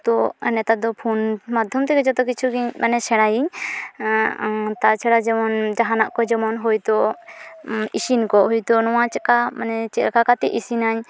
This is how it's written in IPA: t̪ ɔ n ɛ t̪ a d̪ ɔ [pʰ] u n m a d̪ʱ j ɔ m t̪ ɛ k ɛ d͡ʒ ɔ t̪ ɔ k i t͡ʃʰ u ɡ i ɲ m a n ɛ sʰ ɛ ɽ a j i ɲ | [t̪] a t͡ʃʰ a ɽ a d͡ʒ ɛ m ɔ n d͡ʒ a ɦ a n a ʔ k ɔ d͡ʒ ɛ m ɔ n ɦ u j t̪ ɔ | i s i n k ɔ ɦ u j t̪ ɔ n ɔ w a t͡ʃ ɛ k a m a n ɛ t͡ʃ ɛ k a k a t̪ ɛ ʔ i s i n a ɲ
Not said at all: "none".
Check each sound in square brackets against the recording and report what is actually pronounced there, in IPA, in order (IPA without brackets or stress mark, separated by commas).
pʰ, t̪